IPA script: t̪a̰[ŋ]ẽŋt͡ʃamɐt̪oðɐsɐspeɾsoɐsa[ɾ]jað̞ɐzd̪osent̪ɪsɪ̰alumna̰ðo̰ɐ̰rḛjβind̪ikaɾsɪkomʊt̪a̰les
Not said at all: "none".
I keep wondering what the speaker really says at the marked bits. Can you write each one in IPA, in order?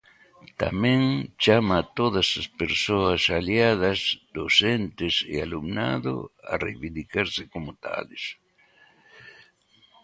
m, l

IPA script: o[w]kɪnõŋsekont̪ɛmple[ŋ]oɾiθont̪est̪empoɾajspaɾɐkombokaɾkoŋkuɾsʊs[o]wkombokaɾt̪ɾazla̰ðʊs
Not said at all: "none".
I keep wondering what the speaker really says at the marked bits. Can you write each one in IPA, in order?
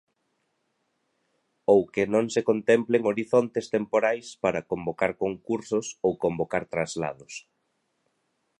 w, ŋ, o

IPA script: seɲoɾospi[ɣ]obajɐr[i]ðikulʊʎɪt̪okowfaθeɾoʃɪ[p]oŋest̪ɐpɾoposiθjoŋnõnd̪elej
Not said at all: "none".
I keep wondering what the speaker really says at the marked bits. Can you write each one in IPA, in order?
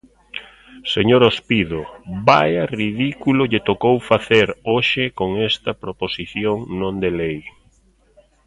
ð, i, k

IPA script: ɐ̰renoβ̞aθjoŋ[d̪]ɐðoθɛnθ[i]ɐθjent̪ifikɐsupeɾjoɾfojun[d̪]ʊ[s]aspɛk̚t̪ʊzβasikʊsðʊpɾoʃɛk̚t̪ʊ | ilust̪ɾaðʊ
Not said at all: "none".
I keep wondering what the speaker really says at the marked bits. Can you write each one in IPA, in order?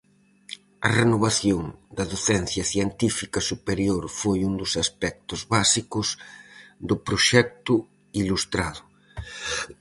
d̪, j, d̪, s

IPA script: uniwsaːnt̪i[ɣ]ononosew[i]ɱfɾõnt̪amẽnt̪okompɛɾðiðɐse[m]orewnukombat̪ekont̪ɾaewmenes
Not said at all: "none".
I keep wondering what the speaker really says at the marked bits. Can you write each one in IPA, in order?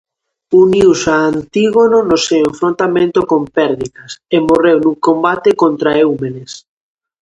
ɣ, e, m

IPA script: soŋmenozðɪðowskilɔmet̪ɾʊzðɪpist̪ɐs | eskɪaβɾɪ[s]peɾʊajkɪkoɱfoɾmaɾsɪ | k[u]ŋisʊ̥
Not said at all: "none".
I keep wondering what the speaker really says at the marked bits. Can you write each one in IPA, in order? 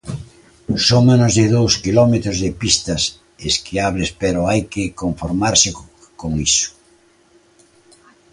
s, o

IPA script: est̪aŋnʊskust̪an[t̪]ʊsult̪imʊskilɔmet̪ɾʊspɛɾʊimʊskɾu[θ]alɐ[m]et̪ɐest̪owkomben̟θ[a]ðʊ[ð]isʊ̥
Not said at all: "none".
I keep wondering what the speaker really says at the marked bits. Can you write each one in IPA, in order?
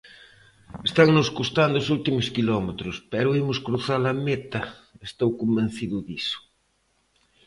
d̪, θ, m, i, ð

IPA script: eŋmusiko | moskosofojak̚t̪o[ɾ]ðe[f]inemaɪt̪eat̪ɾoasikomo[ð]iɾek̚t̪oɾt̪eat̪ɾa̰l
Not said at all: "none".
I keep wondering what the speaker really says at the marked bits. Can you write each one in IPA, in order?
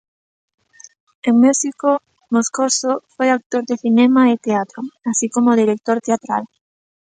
ɾ, θ, ð

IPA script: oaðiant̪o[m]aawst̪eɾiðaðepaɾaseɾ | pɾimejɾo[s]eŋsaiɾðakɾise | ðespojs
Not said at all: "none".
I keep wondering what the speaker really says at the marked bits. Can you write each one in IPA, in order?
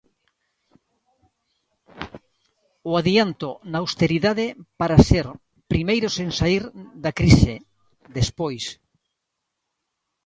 n, s

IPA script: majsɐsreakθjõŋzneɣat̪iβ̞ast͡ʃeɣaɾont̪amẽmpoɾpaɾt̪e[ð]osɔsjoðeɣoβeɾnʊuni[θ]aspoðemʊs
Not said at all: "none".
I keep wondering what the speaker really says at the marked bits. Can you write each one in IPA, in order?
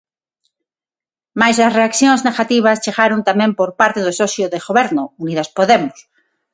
ð, ð

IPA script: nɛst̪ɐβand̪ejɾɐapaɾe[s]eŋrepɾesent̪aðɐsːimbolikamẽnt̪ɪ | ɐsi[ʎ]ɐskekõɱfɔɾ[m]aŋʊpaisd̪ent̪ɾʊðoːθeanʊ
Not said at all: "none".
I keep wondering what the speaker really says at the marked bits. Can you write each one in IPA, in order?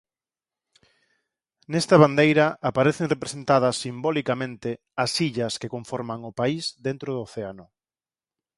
θ, ʎ, m

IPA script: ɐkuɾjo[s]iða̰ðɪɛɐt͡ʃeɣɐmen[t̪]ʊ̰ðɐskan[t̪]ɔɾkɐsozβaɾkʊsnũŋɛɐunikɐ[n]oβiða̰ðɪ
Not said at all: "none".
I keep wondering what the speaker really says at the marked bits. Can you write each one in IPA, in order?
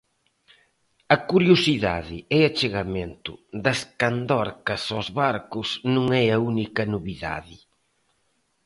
s, t̪, d̪, n

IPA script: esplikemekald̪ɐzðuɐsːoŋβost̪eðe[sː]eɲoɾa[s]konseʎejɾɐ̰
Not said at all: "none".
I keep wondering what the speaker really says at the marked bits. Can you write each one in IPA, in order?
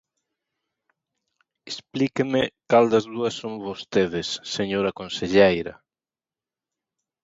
sː, none

